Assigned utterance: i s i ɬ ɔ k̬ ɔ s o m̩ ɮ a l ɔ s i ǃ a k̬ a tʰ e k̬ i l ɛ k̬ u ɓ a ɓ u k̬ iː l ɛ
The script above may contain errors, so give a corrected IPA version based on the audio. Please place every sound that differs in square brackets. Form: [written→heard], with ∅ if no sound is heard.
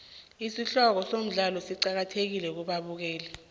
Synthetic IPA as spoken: i s i ɬ ɔ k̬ ɔ s o m̩ ɮ a l ɔ s i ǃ a k̬ a tʰ e k̬ i l ɛ k̬ u ɓ a ɓ u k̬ [iː→ɛː] l ɛ

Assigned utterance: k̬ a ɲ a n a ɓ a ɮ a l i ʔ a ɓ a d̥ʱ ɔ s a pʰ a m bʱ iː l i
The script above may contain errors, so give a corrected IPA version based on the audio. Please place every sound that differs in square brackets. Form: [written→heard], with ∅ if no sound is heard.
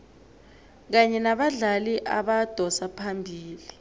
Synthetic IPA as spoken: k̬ a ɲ [a→ɛ] n a ɓ a ɮ a l i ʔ a ɓ a d̥ʱ ɔ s a pʰ a m bʱ iː l i

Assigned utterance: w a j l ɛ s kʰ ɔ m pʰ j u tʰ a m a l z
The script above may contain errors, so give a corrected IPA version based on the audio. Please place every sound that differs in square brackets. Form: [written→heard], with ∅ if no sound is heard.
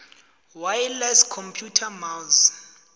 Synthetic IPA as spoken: w a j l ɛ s kʰ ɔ m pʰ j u tʰ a m a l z

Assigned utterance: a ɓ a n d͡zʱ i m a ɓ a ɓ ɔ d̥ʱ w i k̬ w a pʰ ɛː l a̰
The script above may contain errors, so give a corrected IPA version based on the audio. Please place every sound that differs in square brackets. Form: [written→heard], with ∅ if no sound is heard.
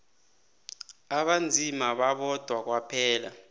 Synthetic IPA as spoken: a ɓ a n d͡zʱ i m a ɓ a ɓ ɔ d̥ʱ w [i→a] k̬ w a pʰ ɛː l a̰

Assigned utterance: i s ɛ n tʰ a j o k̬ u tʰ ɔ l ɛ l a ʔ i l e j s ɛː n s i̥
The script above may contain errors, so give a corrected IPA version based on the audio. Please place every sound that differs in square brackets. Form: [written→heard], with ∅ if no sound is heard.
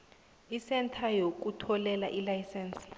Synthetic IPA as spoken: i s ɛ n tʰ a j o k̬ u tʰ ɔ l ɛ l a ʔ i l [e→a] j s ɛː n s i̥

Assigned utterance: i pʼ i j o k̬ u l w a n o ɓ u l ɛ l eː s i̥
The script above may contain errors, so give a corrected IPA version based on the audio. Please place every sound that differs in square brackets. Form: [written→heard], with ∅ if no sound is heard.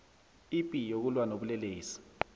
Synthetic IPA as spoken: i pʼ i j o k̬ u l w a n o ɓ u l ɛ l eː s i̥

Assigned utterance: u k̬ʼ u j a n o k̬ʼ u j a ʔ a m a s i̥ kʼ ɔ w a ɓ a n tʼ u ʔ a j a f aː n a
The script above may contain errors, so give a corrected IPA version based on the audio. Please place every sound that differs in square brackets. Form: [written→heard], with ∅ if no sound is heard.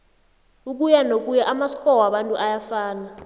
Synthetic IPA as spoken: u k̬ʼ u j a n o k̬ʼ u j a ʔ a m a s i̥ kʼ ɔ w a ɓ a n tʼ u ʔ a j a f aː n a

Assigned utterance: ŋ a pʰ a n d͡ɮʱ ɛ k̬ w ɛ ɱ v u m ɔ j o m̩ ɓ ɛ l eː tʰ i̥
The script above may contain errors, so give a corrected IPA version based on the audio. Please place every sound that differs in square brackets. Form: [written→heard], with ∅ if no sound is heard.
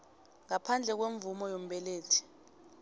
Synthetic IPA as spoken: ŋ a pʰ a n d͡ɮʱ ɛ k̬ w [ɛ→e] ɱ v u m ɔ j o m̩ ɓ ɛ l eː tʰ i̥

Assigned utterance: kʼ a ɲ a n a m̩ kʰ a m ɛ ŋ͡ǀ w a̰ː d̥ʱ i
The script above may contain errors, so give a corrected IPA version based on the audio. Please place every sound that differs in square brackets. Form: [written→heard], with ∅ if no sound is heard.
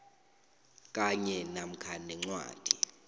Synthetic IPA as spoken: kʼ a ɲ [a→ɛ] n a m̩ kʰ a [m→n] ɛ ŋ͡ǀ w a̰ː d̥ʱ i

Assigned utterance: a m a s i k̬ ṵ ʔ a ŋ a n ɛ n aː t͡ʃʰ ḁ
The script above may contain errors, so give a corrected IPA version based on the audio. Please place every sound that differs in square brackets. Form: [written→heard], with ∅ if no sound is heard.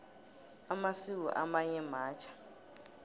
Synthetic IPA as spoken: a m a s i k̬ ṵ ʔ a [ŋ→m] a [n→ɲ] ɛ [n→m] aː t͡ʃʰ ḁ

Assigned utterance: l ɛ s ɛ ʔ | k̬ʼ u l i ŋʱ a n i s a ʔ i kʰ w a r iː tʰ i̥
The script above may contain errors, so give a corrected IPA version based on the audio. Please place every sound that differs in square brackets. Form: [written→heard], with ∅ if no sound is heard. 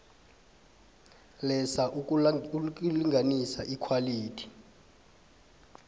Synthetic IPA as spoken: l ɛ s [ɛ→a] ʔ | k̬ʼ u l i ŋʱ a n i s a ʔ i kʰ w a [r→l] iː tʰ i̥

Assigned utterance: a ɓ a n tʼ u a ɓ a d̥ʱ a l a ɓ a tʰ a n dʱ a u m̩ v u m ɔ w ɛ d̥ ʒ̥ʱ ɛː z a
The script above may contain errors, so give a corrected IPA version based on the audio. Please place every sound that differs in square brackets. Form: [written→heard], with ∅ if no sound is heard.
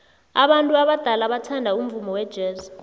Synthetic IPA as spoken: a ɓ a n tʼ u a ɓ a d̥ʱ a l a ɓ a tʰ a n dʱ a u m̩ v u m ɔ w ɛ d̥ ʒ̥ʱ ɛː z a

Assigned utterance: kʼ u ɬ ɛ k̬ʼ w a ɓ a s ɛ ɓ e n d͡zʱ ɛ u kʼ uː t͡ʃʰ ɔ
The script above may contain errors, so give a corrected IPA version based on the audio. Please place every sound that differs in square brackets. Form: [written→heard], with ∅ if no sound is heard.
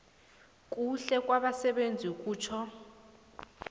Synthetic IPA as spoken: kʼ u ɬ ɛ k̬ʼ w a ɓ a s ɛ ɓ e n d͡zʱ [ɛ→i] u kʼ uː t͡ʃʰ ɔ

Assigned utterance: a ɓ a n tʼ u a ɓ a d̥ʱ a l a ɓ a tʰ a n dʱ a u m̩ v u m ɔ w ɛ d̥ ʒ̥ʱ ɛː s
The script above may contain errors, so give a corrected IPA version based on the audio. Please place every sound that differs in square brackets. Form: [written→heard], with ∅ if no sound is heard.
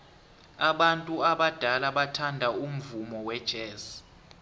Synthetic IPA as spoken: a ɓ a n tʼ u a ɓ a d̥ʱ a l a ɓ a tʰ a n dʱ a u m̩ v u m ɔ w ɛ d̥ ʒ̥ʱ ɛː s

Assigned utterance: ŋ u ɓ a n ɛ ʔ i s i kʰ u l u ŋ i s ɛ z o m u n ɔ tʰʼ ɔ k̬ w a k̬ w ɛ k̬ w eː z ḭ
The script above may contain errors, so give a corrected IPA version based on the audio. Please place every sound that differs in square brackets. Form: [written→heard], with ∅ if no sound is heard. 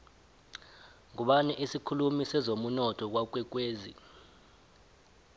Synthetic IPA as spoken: ŋ u ɓ a n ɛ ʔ i s i kʰ u l u [ŋ→m] i s ɛ z o m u n ɔ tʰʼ ɔ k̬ w a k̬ w ɛ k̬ w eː z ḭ

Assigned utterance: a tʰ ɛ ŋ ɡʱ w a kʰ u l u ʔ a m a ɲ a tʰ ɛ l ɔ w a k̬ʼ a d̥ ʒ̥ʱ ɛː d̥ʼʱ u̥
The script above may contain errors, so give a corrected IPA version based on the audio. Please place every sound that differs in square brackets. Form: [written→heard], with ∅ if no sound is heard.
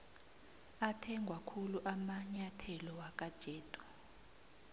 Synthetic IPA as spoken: a tʰ ɛ ŋ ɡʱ w a kʰ u l u ʔ a m a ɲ a tʰ ɛ l ɔ w a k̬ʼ a d̥ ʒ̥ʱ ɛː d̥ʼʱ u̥

